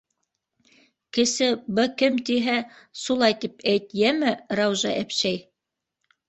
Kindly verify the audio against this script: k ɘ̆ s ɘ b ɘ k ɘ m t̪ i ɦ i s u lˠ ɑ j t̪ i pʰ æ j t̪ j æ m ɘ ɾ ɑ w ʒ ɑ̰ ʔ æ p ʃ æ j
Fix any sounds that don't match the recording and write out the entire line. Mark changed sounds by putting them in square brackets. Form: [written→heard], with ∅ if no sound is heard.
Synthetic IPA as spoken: k ɘ̆ s ɘ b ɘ k ɘ m t̪ i ɦ [i→æ] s u lˠ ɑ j t̪ i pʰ æ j t̪ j æ m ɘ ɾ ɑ w ʒ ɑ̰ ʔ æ p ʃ æ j